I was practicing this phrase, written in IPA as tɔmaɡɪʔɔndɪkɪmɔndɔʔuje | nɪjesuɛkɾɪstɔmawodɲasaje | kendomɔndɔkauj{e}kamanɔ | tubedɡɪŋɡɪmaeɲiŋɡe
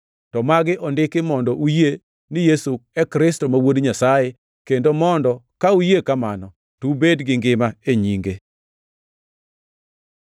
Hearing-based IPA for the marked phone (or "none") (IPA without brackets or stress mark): e